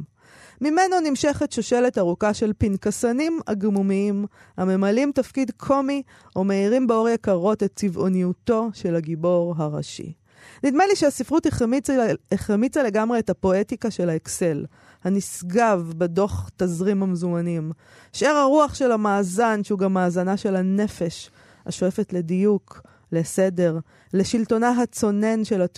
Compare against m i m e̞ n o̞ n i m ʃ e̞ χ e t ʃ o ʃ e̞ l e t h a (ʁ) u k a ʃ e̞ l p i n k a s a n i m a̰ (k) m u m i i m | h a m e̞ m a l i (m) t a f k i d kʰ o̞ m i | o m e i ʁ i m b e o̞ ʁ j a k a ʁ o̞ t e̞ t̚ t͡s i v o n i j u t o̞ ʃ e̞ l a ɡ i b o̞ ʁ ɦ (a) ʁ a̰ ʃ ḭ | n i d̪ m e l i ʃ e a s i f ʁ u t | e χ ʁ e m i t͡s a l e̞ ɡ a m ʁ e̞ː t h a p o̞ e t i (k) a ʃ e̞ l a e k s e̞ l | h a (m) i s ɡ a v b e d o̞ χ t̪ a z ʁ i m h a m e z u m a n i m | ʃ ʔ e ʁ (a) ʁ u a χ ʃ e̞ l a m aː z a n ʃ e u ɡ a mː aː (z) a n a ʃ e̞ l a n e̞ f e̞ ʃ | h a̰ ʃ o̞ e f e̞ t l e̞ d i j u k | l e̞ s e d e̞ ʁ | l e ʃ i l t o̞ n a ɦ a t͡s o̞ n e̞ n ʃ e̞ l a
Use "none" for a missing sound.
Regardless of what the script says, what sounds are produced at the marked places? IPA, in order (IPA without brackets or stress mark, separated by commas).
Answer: ʁ, ɡ, m, a, k, n, a, z